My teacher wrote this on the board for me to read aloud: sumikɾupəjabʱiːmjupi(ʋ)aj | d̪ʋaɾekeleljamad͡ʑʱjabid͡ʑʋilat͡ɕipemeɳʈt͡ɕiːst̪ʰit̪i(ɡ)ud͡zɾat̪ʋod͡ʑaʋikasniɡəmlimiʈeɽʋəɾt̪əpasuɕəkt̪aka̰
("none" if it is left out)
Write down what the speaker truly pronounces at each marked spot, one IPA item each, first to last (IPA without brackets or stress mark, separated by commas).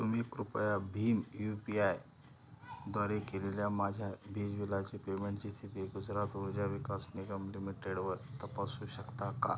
none, ɡ